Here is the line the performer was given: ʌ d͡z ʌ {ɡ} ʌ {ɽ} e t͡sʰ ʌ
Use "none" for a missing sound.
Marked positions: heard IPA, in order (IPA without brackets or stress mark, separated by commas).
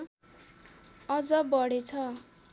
b, ɽ